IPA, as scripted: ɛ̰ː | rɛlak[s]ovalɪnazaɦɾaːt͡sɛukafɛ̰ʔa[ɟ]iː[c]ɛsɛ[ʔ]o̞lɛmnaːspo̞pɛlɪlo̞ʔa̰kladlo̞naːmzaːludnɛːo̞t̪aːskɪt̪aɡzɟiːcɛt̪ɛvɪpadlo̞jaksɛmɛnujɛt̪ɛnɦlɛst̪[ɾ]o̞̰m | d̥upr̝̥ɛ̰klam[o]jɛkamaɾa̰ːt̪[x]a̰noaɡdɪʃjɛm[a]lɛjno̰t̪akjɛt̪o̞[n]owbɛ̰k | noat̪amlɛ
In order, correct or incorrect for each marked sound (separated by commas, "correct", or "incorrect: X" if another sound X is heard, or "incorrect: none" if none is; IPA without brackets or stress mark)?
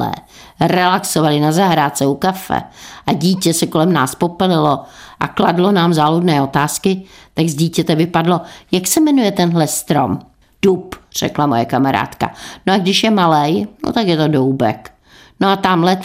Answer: correct, correct, correct, incorrect: k, correct, correct, incorrect: k, correct, incorrect: d